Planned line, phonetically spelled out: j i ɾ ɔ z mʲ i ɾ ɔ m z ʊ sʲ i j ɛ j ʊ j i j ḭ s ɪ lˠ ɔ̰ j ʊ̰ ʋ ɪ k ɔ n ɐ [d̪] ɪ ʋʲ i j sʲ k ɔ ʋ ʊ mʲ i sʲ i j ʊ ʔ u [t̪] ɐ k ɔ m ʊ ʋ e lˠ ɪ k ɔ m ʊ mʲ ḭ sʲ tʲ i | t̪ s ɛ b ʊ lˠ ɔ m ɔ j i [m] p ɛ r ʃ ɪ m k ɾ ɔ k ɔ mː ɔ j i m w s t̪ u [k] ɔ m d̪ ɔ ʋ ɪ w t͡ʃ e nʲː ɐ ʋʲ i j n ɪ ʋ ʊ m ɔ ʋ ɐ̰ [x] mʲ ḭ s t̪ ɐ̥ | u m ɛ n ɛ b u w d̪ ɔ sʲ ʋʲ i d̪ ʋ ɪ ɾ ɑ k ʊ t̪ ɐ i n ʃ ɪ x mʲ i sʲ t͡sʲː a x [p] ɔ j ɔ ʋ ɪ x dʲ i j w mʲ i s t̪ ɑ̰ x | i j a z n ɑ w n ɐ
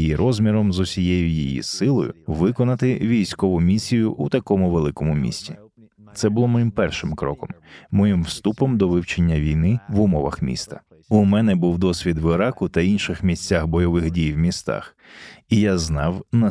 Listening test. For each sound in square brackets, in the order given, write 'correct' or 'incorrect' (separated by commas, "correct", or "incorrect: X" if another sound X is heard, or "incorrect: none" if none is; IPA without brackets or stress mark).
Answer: incorrect: t̪, correct, correct, incorrect: p, correct, incorrect: b